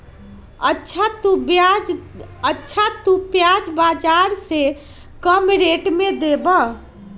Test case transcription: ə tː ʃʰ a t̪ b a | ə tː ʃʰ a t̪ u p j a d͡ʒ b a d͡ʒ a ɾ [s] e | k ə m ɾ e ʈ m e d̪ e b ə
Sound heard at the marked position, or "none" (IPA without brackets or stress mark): s